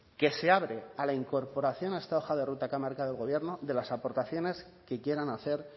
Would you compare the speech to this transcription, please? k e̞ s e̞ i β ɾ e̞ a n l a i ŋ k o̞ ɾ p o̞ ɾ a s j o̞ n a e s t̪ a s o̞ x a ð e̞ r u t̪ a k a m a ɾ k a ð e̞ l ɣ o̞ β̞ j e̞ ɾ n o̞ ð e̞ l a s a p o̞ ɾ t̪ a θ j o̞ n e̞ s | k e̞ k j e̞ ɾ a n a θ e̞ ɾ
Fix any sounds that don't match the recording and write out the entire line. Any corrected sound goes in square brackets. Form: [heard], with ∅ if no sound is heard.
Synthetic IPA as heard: k e̞ s e̞ [a] β ɾ e̞ a [∅] l a i ŋ k o̞ ɾ p o̞ ɾ a [θ] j o̞ n a e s t̪ a [∅] o̞ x a ð e̞ r u t̪ a k a m a ɾ k a ð e̞ l ɣ o̞ β̞ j e̞ ɾ n o̞ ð e̞ l a s a p o̞ ɾ t̪ a θ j o̞ n e̞ s | k e̞ k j e̞ ɾ a n a θ e̞ ɾ